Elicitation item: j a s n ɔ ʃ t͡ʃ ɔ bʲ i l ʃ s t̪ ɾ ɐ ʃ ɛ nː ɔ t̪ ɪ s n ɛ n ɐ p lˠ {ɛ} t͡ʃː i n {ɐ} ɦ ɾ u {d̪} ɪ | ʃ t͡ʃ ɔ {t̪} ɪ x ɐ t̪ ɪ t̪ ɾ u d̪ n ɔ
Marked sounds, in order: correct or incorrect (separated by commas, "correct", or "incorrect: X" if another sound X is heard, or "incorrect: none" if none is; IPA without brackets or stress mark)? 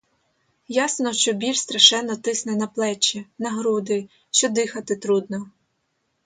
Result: correct, correct, correct, incorrect: d̪